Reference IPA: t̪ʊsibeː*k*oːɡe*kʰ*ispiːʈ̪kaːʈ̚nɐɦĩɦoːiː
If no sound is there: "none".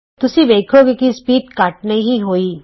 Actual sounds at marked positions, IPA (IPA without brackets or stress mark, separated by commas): kʰ, k